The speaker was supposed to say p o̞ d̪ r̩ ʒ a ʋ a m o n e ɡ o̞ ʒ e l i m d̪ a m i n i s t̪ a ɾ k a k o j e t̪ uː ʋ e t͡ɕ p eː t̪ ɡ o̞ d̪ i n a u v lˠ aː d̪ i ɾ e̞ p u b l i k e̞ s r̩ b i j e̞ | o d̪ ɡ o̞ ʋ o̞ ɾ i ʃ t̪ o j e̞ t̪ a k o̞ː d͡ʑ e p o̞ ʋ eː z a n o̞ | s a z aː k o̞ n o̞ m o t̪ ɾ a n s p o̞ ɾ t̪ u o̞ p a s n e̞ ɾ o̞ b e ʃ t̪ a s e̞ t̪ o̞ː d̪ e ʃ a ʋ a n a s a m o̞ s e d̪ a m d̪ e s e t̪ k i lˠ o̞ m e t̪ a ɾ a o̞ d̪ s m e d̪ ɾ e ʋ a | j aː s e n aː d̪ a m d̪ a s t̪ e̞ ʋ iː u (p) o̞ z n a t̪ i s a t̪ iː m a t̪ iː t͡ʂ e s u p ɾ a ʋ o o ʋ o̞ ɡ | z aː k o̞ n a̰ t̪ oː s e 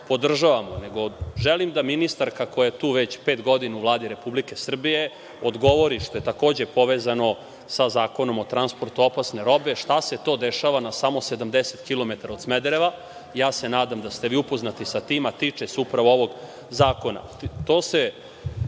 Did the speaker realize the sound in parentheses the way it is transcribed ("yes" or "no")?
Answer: yes